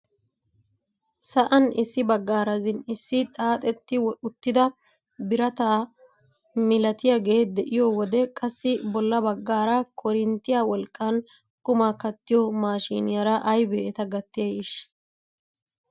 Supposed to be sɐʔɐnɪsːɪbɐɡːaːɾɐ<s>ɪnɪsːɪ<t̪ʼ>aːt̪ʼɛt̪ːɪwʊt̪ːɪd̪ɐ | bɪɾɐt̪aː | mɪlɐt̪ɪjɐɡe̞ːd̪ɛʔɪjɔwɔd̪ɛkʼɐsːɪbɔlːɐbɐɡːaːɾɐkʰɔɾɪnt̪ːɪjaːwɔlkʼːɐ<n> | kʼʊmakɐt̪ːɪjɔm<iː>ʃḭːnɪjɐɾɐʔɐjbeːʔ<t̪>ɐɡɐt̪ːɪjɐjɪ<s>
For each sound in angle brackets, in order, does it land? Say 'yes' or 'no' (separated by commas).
no, yes, yes, no, yes, no